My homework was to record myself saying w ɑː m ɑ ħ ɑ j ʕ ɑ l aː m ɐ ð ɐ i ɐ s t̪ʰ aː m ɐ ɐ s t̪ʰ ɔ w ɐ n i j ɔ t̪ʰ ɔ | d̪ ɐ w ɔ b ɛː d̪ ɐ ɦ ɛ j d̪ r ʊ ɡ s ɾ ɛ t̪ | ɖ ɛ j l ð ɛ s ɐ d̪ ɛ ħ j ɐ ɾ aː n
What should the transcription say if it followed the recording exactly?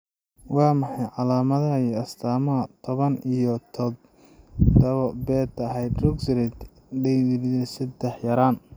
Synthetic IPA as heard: w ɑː m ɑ ħ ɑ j ʕ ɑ l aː m ɐ ð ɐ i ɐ s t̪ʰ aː m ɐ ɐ t̪ʰ ɔ β ɐ n i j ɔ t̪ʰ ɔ | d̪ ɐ β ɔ b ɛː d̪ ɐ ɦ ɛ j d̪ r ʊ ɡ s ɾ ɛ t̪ | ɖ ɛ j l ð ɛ s ɐ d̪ ɛ ħ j ɐ ɾ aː n